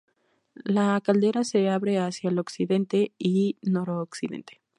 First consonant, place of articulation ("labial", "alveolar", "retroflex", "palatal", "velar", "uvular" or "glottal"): alveolar